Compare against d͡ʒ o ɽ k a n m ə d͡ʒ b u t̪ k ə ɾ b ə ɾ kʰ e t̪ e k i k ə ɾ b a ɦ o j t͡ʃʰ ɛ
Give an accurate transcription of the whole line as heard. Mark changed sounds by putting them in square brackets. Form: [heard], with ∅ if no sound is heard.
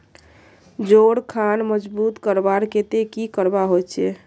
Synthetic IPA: d͡ʒ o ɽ [kʰ] a n m ə d͡ʒ b u t̪ k ə ɾ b [a] ɾ [k] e t̪ e k i k ə ɾ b a ɦ o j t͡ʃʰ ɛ